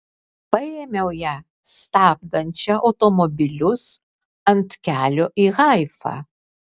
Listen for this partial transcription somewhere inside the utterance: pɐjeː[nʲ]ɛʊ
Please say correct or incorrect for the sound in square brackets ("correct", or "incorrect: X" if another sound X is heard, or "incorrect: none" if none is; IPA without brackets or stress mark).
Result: incorrect: mʲ